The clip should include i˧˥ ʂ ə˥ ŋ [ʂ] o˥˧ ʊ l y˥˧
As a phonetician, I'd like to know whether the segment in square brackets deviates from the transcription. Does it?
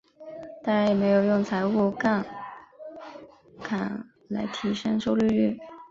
no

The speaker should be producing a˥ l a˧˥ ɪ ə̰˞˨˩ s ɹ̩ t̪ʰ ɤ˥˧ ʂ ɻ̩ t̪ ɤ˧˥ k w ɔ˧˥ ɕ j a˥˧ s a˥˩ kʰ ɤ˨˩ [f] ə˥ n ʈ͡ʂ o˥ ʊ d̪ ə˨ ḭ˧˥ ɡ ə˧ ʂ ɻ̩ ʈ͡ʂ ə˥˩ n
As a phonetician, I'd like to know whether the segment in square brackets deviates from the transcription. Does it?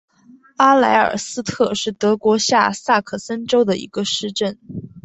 yes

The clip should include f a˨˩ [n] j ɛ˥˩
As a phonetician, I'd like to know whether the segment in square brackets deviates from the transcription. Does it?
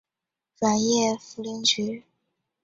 no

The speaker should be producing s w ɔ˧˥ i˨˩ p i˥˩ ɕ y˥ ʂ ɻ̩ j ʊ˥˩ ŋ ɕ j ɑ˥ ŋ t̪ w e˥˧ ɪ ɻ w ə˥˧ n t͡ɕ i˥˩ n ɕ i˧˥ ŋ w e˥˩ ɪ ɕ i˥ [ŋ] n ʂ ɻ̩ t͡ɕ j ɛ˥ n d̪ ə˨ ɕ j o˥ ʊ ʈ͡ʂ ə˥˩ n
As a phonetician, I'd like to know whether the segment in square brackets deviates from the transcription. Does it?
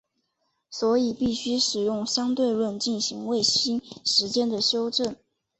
yes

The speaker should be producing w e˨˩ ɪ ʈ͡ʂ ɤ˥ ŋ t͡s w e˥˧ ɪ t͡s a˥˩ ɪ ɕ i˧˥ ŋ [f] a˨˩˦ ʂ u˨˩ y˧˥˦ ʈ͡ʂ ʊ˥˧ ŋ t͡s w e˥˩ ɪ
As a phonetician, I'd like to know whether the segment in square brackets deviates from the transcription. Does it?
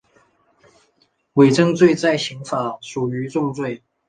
no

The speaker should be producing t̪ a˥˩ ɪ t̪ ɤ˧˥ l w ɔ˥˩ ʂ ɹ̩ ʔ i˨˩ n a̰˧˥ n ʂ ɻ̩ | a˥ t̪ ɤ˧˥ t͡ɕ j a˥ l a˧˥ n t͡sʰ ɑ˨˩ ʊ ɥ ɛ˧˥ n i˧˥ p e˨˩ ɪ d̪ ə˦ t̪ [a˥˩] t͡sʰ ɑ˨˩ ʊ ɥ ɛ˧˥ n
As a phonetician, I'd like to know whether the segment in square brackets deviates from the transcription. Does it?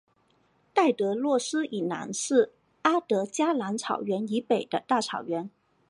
no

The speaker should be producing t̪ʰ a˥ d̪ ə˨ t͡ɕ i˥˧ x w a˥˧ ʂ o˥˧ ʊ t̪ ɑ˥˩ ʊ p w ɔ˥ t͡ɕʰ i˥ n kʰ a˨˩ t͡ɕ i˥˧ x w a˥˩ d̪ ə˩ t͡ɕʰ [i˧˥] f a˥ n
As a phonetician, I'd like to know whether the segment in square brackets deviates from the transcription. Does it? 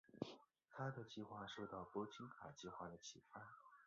yes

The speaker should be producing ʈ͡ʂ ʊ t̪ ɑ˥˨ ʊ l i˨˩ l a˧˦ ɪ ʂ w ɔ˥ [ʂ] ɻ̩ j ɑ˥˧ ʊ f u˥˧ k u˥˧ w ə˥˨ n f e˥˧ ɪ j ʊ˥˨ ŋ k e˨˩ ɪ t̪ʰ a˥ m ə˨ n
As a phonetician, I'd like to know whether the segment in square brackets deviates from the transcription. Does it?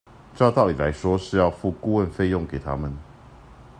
no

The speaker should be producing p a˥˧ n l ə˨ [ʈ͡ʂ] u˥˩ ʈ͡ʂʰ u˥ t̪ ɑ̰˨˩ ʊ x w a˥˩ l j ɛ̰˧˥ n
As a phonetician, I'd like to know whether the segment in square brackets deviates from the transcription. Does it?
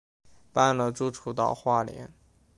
no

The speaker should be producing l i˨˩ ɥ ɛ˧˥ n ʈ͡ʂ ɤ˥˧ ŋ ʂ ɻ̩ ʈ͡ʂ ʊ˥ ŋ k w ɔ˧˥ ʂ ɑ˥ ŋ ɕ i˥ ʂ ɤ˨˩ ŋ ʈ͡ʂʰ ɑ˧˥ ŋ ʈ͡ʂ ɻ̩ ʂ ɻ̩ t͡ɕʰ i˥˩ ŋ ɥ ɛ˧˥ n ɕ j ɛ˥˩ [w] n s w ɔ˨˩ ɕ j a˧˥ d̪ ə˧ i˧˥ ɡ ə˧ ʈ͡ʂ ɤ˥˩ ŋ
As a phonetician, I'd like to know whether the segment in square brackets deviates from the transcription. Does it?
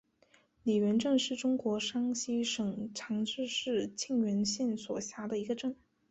yes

